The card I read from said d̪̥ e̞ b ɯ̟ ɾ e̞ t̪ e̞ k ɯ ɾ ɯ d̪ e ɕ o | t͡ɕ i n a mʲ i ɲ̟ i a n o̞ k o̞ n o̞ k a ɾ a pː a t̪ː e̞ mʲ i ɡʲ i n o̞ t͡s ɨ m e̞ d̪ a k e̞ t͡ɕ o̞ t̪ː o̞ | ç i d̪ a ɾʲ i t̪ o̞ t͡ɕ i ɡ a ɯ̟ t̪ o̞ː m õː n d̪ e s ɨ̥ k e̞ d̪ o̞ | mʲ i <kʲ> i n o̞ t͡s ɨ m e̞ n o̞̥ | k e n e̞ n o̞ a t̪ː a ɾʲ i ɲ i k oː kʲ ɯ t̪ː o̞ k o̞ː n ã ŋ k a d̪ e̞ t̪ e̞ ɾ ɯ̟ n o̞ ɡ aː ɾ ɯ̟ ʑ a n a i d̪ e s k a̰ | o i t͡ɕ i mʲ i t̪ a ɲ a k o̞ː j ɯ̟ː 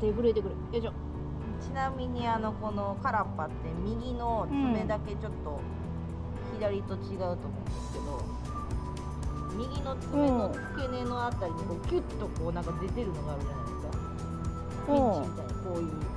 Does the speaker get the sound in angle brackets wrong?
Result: yes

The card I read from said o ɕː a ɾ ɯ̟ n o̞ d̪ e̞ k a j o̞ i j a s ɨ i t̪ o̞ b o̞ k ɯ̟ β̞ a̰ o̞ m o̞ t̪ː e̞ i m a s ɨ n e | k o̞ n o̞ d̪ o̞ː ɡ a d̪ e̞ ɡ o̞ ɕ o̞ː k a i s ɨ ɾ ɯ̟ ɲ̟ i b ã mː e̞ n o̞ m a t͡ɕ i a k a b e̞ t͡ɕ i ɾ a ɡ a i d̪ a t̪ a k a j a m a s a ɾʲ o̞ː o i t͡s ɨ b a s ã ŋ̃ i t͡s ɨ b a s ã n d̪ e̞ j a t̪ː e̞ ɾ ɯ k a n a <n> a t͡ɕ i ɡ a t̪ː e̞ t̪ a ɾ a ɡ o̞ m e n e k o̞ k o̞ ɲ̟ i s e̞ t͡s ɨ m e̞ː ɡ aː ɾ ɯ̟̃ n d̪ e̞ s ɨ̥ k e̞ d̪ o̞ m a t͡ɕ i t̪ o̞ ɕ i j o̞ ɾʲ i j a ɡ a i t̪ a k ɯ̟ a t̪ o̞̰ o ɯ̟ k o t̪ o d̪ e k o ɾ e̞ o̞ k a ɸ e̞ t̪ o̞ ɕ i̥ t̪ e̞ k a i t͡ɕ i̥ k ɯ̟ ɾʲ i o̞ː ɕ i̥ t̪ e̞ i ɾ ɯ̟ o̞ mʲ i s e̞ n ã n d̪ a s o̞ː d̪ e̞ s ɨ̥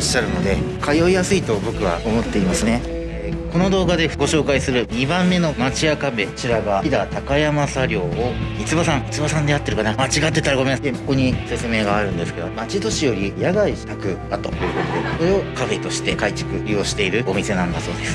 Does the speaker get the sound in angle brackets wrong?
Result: yes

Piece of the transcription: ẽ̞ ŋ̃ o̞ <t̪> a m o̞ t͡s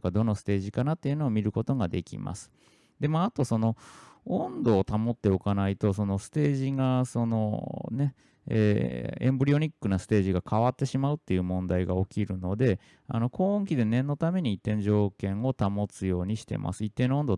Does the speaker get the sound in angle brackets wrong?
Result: no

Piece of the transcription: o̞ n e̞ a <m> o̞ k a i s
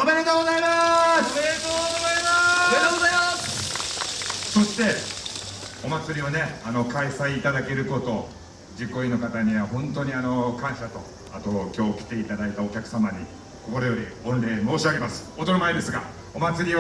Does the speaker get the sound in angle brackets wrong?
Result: yes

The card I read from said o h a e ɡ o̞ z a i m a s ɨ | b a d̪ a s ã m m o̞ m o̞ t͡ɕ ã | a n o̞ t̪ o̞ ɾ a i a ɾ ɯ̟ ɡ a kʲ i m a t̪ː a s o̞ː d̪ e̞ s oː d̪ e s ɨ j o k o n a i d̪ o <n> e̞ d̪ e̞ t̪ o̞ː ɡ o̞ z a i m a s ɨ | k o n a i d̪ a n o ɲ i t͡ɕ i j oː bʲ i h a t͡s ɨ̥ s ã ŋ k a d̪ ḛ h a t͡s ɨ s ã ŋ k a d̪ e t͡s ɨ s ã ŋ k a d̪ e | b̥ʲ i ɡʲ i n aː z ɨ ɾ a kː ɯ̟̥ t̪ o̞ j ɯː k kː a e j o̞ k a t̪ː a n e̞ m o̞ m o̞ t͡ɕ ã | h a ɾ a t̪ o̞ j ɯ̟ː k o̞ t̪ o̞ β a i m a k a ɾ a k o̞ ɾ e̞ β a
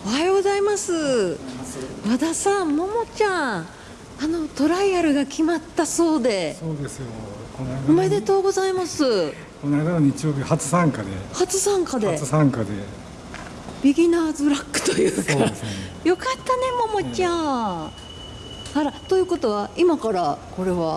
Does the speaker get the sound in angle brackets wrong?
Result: yes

